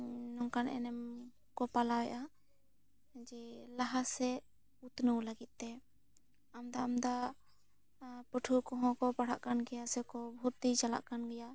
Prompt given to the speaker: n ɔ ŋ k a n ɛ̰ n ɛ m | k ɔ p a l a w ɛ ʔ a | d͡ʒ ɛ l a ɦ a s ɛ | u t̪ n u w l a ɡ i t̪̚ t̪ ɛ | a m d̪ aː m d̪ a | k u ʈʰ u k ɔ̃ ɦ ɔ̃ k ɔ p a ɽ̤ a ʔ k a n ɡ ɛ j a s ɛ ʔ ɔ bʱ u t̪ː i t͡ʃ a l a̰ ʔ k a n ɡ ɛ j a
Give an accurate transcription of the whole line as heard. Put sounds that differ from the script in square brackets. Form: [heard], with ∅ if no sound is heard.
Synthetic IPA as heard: n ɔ ŋ k a n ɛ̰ n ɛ m | k ɔ p a l a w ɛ ʔ a | d͡ʒ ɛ l a ɦ a s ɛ | u t̪ n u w l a ɡ i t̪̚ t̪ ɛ | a m d̪ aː m d̪ a | [p] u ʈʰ u k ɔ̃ ɦ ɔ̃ k ɔ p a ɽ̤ a ʔ k a n ɡ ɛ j a s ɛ [k] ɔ bʱ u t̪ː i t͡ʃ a l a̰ ʔ k a n ɡ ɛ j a